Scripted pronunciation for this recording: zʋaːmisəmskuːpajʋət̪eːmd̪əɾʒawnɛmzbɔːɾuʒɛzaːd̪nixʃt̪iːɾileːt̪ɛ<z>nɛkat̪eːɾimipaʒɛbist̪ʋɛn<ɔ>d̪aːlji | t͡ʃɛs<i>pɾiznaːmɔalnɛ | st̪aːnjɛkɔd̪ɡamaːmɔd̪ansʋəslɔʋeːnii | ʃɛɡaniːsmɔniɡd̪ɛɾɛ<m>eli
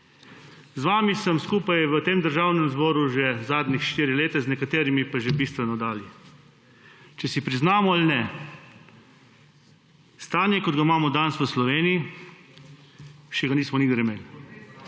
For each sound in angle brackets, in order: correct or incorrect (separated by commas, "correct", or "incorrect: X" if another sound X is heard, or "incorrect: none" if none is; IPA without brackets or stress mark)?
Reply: correct, correct, correct, correct